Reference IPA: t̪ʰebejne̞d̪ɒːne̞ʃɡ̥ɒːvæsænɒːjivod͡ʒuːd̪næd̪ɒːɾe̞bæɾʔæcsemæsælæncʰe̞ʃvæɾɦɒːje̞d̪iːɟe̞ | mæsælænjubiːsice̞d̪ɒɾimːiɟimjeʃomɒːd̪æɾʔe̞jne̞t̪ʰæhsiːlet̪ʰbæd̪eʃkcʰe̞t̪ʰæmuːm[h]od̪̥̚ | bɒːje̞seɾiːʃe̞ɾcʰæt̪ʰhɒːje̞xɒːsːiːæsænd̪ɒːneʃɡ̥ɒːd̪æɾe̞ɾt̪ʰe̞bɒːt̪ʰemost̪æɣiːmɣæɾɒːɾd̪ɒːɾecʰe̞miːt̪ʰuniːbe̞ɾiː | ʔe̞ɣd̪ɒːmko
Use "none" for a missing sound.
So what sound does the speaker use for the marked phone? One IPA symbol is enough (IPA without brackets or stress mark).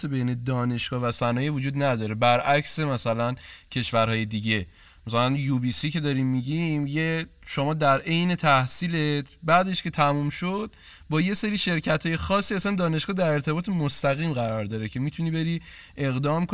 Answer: ʃ